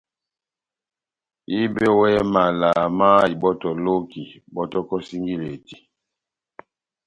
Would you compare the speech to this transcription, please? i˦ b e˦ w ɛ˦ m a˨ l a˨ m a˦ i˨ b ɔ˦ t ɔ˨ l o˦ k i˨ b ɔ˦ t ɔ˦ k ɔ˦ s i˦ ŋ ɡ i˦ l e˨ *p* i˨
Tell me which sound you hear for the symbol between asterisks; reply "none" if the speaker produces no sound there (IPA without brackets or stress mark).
t